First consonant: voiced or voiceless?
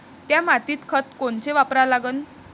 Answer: voiceless